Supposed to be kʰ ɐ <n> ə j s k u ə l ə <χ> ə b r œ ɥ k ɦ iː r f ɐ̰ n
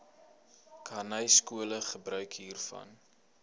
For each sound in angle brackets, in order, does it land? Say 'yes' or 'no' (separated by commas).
yes, yes